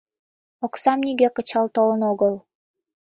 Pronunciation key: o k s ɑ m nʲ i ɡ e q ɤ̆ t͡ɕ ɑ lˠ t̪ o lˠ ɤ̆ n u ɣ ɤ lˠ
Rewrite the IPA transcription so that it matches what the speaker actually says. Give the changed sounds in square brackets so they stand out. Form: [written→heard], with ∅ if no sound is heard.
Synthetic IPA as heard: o k s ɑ m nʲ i ɡ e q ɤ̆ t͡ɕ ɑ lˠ t̪ o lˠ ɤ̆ n [u→o] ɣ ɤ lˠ